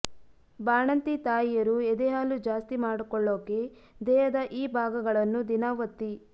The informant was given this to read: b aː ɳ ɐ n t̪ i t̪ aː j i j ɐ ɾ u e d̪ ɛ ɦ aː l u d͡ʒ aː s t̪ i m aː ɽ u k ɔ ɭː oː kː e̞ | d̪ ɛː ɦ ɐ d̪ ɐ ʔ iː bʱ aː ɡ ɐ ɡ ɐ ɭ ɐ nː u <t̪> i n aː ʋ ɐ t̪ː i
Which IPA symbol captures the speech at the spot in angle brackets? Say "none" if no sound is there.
d̪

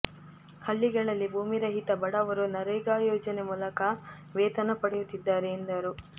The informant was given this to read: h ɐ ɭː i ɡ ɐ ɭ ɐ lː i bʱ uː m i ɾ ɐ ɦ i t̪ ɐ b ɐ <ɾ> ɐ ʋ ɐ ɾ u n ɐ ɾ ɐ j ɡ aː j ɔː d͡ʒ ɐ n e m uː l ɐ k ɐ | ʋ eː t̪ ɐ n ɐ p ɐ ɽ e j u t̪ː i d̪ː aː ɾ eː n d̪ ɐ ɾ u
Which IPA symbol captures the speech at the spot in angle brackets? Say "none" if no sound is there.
ɽ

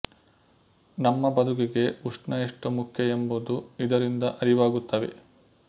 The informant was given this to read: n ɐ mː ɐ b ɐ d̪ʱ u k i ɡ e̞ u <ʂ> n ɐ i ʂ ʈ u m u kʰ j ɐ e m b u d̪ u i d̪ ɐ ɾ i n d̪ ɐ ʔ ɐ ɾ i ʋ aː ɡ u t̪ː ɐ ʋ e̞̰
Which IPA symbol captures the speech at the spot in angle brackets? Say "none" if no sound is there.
ʂ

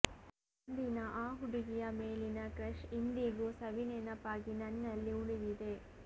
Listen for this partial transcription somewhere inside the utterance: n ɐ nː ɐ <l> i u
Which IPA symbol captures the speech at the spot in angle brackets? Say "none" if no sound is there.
lː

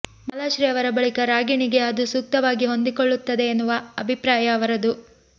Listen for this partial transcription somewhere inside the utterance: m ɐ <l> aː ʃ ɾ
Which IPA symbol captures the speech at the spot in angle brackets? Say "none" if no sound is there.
l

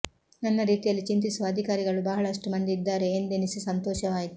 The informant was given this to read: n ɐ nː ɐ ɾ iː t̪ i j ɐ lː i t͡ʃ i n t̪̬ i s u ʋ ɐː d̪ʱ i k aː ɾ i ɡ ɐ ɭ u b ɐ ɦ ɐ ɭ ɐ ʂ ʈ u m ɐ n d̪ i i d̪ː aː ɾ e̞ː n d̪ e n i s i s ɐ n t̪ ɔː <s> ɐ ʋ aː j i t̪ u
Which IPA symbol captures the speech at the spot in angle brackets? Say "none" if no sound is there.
ʃ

